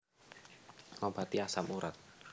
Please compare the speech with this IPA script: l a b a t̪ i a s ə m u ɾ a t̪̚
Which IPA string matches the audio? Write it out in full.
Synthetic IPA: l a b a t̪ i a s a m u ɾ a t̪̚